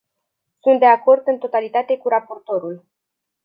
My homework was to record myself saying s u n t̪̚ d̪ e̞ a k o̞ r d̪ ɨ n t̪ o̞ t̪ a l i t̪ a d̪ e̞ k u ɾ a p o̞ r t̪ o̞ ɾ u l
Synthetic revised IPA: s u n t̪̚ d̪ e̞ a k o̞ r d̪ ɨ n t̪ o̞ t̪ a l i t̪ a t̪ e̞ k u ɾ a p o̞ r t̪ o̞ ɾ u l